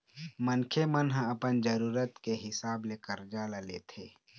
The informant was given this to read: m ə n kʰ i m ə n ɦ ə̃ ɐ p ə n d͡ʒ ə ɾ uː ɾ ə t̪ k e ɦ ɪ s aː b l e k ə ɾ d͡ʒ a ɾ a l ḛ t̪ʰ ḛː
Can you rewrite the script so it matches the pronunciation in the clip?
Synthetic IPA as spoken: m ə n kʰ e m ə n ɦ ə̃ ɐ p ə n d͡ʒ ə ɾ uː ɾ ə t̪ k e ɦ ɪ s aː b l e k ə ɾ d͡ʒ a l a l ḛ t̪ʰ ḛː